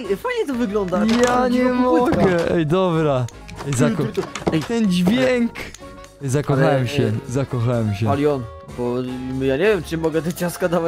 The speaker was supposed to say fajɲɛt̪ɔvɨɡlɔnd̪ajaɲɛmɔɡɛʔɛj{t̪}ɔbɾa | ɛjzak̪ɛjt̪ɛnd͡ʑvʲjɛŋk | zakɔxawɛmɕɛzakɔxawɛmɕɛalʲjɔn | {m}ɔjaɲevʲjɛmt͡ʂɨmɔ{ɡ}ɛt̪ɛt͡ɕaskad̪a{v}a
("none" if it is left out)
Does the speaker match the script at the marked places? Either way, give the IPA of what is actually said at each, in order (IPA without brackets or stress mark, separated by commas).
d̪, b, ɡ, v